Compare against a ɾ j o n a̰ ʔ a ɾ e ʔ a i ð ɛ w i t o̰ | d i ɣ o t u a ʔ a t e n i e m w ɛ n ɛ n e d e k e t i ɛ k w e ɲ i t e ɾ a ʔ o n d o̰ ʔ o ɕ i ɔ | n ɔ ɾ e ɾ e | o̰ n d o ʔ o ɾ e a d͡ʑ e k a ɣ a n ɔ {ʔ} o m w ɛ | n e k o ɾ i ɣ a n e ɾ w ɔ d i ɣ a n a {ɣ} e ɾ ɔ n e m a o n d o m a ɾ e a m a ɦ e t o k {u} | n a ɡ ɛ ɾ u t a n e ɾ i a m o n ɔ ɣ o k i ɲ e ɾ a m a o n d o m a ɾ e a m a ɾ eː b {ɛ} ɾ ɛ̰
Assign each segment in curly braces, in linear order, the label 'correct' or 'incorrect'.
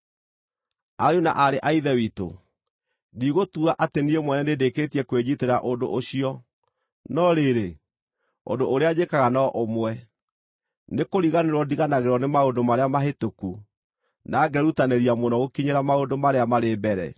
correct, correct, correct, correct

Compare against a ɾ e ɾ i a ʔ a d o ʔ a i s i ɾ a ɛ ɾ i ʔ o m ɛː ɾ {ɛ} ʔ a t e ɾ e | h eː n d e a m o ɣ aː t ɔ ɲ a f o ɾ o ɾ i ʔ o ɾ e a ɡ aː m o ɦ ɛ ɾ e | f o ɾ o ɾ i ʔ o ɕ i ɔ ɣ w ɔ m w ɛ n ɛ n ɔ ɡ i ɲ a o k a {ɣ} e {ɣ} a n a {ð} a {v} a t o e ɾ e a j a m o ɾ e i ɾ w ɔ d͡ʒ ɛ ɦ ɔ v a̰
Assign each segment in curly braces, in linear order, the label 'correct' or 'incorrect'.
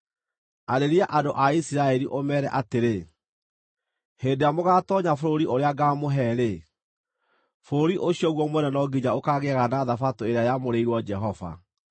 correct, correct, correct, correct, incorrect: f

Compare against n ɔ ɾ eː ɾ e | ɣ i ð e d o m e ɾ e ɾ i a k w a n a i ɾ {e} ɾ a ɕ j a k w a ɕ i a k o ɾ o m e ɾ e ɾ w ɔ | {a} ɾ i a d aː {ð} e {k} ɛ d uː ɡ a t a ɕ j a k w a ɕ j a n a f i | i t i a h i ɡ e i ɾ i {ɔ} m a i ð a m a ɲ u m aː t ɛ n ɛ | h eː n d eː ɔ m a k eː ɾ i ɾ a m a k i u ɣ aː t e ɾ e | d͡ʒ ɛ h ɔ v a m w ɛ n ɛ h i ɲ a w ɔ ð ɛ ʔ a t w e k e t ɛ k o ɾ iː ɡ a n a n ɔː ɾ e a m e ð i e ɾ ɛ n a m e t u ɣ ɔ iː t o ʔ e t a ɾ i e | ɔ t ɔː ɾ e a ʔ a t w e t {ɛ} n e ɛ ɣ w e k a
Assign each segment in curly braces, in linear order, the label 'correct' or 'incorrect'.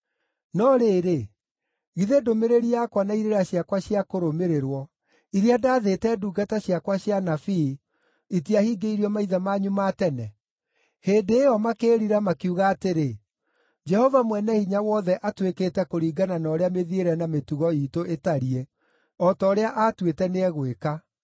correct, incorrect: i, correct, incorrect: t, correct, correct

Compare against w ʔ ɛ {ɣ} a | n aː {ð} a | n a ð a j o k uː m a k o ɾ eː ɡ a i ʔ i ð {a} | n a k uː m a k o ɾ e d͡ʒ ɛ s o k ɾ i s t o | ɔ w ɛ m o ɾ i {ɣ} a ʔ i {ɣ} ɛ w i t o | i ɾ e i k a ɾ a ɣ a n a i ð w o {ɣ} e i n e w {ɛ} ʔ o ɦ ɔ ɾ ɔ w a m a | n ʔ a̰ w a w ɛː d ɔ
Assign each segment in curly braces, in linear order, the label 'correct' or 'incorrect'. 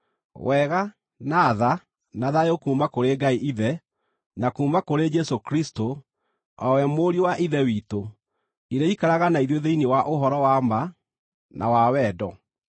correct, correct, incorrect: ɛ, incorrect: w, incorrect: ð, incorrect: ð, incorrect: a

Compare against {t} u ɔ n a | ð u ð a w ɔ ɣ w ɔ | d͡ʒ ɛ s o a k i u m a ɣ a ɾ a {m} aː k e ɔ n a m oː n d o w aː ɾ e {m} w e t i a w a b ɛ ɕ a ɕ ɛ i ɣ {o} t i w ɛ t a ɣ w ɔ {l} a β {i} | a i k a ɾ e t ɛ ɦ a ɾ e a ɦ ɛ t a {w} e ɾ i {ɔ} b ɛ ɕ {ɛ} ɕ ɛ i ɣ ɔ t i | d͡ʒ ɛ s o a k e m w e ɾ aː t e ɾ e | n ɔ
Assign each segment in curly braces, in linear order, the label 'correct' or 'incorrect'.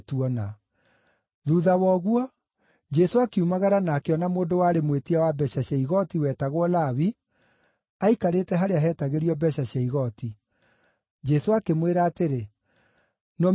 correct, incorrect: n, correct, incorrect: ɔ, correct, correct, incorrect: ɣ, correct, incorrect: a

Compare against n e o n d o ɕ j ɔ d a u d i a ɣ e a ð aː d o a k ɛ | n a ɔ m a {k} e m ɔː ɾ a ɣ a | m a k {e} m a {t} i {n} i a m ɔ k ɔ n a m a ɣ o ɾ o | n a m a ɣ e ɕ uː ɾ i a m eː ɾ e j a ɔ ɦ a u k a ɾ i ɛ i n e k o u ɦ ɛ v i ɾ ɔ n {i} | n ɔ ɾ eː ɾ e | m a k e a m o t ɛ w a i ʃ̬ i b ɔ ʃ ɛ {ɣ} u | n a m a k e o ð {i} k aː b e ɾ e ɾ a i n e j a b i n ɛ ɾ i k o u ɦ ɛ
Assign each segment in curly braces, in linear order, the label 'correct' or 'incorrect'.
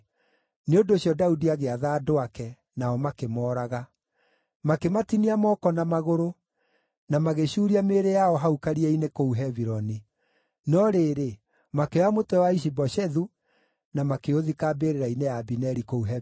correct, correct, correct, correct, correct, incorrect: ð, correct

